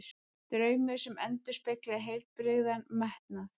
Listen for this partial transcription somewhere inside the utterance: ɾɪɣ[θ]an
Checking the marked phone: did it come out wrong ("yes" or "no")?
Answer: yes